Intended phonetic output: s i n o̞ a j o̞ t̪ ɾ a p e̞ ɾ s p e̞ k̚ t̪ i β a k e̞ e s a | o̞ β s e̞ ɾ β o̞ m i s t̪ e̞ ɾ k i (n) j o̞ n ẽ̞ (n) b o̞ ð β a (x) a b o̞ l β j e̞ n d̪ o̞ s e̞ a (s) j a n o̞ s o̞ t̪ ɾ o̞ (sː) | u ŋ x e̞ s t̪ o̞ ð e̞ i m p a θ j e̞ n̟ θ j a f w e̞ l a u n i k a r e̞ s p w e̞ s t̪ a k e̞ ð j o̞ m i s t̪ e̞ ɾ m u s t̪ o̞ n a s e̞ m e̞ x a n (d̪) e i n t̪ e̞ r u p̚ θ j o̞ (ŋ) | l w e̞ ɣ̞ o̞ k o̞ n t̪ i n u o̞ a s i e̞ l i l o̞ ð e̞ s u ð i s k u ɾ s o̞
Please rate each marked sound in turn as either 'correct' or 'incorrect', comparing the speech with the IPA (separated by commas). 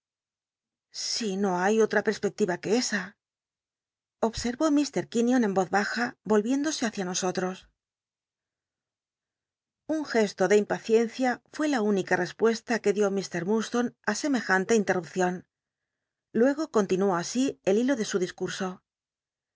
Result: correct, incorrect, correct, incorrect, incorrect, incorrect, incorrect